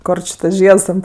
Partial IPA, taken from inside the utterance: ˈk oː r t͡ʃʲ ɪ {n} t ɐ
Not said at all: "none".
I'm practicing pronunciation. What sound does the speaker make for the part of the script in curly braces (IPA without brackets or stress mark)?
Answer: none